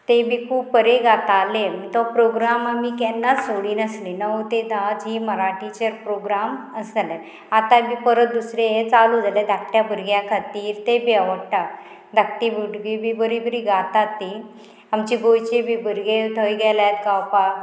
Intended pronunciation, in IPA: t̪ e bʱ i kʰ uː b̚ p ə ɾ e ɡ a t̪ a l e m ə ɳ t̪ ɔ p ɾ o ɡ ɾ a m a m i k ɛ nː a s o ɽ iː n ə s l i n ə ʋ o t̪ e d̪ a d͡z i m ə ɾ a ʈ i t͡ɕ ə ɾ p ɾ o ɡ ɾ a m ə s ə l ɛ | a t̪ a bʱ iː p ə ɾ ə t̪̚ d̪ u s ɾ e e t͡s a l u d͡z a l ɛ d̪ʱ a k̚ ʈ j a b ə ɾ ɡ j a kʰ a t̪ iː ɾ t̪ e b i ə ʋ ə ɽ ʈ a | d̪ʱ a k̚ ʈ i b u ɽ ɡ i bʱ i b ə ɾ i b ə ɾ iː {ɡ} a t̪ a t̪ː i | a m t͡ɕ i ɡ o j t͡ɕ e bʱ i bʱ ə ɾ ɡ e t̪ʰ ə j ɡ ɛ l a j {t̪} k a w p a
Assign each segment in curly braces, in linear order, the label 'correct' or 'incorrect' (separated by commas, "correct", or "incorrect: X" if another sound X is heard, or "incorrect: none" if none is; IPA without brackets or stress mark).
correct, correct